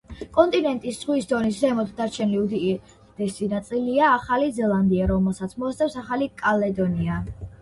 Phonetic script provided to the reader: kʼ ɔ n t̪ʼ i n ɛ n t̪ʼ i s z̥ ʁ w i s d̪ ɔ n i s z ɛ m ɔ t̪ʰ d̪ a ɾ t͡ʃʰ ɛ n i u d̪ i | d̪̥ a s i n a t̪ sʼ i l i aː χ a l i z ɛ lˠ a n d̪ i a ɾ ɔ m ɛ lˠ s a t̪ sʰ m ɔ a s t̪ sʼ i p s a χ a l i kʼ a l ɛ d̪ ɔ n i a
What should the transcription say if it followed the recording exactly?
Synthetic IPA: kʼ ɔ n t̪ʼ i n ɛ n t̪ʼ i s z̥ ʁ w i s d̪ ɔ n i s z ɛ m ɔ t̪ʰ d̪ a ɾ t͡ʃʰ ɛ n i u d̪ i | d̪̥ ɛ s i n a t̪ sʼ i l i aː χ a l i z ɛ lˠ a n d̪ i a ɾ ɔ m ɛ lˠ s a t̪ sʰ m ɔ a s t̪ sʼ ɛ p s a χ a l i kʼ a l ɛ d̪ ɔ n i a